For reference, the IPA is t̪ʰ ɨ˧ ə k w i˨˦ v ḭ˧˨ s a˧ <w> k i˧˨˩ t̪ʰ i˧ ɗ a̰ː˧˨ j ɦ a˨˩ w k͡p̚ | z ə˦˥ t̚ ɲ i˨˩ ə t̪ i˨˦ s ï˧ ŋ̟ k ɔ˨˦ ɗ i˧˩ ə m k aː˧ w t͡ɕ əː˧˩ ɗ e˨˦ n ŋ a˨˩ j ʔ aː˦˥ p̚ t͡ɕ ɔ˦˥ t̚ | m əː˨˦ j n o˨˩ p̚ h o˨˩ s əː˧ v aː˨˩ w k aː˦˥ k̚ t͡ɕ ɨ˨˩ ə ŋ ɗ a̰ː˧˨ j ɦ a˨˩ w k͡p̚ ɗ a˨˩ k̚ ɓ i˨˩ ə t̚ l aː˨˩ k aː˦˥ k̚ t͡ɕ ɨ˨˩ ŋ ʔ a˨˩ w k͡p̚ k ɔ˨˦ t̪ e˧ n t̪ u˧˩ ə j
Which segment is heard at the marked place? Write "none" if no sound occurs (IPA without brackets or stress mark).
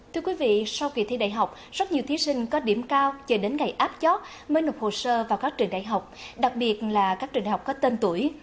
w